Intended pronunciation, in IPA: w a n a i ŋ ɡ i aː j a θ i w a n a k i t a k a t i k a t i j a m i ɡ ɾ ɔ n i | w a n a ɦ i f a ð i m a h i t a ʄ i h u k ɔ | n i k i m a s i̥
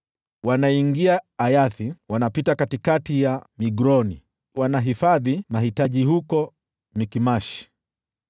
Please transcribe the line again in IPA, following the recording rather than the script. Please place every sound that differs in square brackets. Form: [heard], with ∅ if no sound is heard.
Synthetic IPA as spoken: w a n a i ŋ ɡ i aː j a θ i w a n a [p] i t a k a t i k a t i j a m i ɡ ɾ ɔ n i | w a n a ɦ i f a ð i m a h i t a ʄ i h u k ɔ | [m] i k i m a [ʃ] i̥